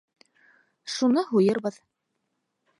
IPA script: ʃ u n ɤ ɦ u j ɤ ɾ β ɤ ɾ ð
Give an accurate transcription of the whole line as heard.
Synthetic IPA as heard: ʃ u n ɤ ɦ u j ɤ ɾ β ɤ ð